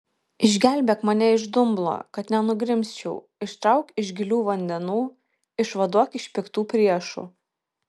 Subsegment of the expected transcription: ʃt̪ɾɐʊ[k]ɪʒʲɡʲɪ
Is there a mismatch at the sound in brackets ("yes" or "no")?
no